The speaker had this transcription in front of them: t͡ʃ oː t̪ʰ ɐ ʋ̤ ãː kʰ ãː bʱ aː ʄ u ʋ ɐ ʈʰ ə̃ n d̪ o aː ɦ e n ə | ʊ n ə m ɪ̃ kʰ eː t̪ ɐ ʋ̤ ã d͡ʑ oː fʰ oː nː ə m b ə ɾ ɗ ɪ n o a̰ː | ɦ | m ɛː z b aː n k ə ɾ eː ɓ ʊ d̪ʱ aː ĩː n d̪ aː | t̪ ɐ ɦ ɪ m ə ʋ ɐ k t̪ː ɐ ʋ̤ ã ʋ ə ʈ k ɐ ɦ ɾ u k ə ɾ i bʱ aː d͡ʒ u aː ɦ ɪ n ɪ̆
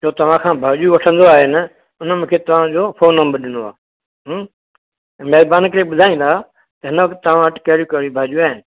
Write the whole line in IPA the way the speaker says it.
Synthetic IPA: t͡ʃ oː t̪ ɐ ʋ̤ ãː kʰ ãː bʱ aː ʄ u ʋ ɐ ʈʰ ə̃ n d̪ o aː ɦ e n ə | ʊ n ə m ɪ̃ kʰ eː t̪ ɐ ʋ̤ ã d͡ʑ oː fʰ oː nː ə m b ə ɾ ɗ ɪ n o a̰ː | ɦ | m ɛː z b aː n k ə ɾ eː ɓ ʊ d̪ʱ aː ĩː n d̪ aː | t̪ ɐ ɦ ɪ n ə ʋ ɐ k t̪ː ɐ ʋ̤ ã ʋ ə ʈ k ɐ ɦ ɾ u k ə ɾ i bʱ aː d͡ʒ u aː ɦ ɪ n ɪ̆